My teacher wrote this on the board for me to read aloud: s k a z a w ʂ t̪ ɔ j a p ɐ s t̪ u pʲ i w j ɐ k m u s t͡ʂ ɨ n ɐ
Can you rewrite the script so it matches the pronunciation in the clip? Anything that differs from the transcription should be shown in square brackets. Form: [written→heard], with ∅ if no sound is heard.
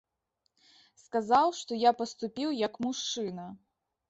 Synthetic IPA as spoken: s k a z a w ʂ t̪ ɔ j a p ɐ s t̪ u pʲ i w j ɐ k m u [s→ʂ] t͡ʂ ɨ n ɐ

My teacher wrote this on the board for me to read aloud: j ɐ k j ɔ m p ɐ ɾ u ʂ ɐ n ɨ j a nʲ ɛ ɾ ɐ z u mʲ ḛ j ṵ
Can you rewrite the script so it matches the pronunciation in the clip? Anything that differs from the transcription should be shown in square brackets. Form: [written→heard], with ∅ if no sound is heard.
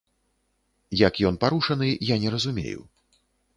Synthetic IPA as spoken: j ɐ k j ɔ [m→n] p [ɐ→a] ɾ u ʂ ɐ n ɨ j a nʲ ɛ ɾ ɐ z u mʲ ḛ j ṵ

